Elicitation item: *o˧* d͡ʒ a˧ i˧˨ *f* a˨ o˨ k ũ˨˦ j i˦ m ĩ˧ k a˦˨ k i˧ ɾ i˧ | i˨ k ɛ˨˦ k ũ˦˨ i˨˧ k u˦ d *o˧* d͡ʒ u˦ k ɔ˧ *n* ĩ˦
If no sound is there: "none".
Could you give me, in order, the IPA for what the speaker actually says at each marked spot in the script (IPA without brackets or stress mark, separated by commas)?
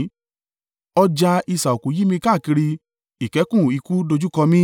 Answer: ɔ˧, s, o˧, m